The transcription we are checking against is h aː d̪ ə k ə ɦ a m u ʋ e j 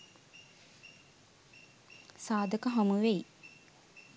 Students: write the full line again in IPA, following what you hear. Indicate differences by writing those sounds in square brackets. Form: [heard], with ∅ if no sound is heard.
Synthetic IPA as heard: [s] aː d̪ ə k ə ɦ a m u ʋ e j